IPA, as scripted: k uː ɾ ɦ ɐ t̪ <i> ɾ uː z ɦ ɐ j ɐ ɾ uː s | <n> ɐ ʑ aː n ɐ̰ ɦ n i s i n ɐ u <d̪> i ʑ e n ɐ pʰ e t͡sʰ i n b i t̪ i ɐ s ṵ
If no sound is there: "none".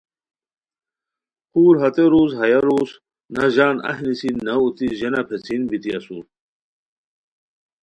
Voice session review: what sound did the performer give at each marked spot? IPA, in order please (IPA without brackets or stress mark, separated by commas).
e, n, t̪